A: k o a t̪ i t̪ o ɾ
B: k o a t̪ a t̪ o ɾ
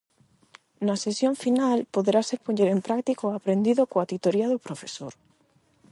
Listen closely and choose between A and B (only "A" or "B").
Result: A